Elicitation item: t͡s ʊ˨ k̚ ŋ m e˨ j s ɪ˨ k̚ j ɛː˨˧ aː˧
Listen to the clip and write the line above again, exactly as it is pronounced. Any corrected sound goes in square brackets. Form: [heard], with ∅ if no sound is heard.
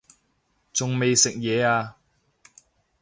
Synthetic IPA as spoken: t͡s ʊ˨ [∅] ŋ m e˨ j s ɪ˨ k̚ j ɛː˨˧ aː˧